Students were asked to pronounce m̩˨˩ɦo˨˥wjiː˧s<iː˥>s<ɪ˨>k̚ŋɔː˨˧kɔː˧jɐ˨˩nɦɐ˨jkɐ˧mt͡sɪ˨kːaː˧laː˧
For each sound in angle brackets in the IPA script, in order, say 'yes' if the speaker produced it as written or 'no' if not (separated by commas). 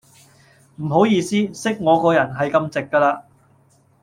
yes, no